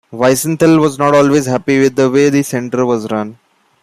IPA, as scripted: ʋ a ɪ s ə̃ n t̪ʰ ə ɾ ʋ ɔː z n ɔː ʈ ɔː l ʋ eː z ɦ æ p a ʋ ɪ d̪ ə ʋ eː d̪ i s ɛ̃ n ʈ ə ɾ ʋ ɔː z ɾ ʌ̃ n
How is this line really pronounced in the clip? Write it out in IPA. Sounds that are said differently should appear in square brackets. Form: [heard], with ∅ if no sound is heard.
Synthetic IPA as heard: ʋ a ɪ s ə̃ n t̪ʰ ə [l] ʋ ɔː z n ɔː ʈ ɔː l ʋ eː z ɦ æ p [i] ʋ ɪ d̪ ə ʋ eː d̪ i s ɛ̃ [ɳ] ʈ ə ɾ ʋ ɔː z ɾ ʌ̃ n